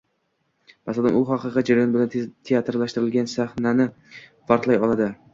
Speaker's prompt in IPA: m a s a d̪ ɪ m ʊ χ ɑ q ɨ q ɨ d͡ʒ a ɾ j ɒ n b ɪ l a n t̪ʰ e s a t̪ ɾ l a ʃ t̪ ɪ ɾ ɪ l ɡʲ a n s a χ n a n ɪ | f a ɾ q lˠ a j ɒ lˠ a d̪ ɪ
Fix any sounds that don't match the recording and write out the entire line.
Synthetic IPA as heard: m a s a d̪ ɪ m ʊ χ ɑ q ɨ q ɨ d͡ʒ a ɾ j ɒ n b ɪ l a n t̪ʰ e a t̪ ɾ l a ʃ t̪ ɪ ɾ ɪ l ɡʲ a n s a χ n a n ɪ | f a ɾ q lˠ a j ɒ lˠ a d̪ ɪ